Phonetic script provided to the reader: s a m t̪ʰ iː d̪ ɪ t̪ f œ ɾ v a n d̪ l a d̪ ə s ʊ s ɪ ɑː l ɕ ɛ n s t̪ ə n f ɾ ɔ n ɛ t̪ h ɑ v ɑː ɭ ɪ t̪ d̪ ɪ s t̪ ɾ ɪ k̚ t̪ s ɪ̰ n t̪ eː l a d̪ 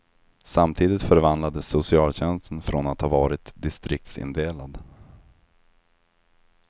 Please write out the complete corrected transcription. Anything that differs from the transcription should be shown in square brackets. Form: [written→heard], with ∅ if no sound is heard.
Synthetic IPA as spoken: s a m t̪ʰ iː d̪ ɪ t̪ f œ ɾ v a n d̪ l a d̪ ə s ʊ s ɪ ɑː l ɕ ɛ n s t̪ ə n f ɾ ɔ n [ɛ→a] t̪ h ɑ v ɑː [ɭ→ɾ] ɪ t̪ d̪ ɪ s t̪ ɾ ɪ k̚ t̪ s ɪ̰ n [t̪→d̪] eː l a d̪

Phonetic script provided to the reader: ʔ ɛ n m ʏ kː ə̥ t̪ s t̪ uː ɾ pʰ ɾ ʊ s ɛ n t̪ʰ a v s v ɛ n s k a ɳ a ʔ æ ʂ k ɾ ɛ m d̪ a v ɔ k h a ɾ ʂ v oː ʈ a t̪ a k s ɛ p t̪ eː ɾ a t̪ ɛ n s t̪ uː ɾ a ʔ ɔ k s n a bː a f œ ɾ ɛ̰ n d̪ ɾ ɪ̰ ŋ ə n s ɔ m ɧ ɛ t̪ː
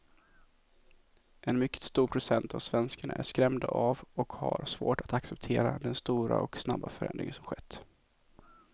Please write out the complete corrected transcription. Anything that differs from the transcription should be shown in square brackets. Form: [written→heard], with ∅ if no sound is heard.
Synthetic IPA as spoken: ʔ ɛ n m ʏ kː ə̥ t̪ s t̪ uː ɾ pʰ ɾ ʊ s ɛ n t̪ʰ a v s v ɛ n s k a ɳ a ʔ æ ʂ k ɾ ɛ m d̪ a v ɔ k h a ɾ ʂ v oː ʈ a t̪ a k s ɛ p [t̪→t̪ʰ] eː ɾ a [t̪→d̪] ɛ n s t̪ uː ɾ a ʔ ɔ k s n a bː a f œ ɾ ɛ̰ n d̪ ɾ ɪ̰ ŋ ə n s ɔ m ɧ ɛ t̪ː

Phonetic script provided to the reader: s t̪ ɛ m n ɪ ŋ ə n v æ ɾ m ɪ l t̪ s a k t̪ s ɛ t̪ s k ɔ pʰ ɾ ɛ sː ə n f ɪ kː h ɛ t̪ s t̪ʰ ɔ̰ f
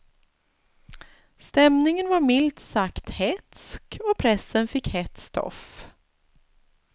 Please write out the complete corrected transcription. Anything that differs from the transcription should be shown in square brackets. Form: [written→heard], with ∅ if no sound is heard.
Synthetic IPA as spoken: s t̪ ɛ m n ɪ ŋ ə n v [æ→a] ɾ m ɪ l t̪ s a k t̪ [s→h] ɛ t̪ s k ɔ pʰ ɾ ɛ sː ə n f ɪ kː h ɛ t̪ s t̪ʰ ɔ̰ f

